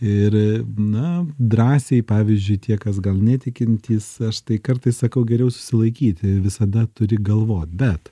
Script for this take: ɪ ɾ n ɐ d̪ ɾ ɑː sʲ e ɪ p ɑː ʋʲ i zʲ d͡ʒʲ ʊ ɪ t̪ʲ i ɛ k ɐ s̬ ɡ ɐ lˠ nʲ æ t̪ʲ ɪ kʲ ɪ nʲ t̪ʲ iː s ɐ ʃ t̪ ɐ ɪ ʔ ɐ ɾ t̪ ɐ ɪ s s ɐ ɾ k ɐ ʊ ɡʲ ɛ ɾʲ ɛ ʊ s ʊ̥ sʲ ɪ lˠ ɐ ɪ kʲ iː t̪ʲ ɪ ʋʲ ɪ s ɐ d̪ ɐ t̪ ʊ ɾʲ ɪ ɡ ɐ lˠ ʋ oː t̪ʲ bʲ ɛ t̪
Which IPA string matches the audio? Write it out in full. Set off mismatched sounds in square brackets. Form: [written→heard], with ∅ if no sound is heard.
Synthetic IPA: ɪ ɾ n ɐ d̪ ɾ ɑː sʲ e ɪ p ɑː ʋʲ i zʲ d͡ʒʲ ʊ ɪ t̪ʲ i ɛ k ɐ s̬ ɡ ɐ lˠ nʲ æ t̪ʲ ɪ kʲ ɪ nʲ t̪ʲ iː s ɐ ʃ t̪ ɐ ɪ [ʔ→k] ɐ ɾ t̪ ɐ ɪ s s ɐ [ɾ→∅] k ɐ ʊ ɡʲ ɛ ɾʲ ɛ ʊ s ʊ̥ sʲ ɪ lˠ ɐ ɪ kʲ iː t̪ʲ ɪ ʋʲ ɪ s ɐ d̪ ɐ t̪ ʊ ɾʲ ɪ ɡ ɐ lˠ ʋ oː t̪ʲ bʲ ɛ t̪

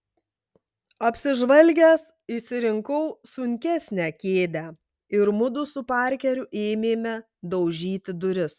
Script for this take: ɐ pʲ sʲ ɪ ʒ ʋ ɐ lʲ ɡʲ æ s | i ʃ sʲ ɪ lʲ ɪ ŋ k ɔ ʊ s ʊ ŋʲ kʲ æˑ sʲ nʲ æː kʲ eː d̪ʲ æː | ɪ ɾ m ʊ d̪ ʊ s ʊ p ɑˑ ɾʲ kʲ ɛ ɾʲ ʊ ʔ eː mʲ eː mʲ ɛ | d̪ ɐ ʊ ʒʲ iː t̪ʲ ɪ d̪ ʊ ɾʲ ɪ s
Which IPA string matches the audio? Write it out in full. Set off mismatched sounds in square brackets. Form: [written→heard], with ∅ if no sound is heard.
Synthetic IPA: ɐ pʲ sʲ ɪ ʒ ʋ ɐ lʲ ɡʲ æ s | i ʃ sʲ ɪ [lʲ→ɾʲ] ɪ ŋ k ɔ ʊ s ʊ ŋʲ kʲ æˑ sʲ nʲ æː kʲ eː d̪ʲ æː | ɪ ɾ m ʊ d̪ ʊ s ʊ p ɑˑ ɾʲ kʲ ɛ ɾʲ ʊ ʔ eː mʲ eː mʲ ɛ | d̪ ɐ ʊ ʒʲ iː t̪ʲ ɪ d̪ ʊ ɾʲ ɪ s

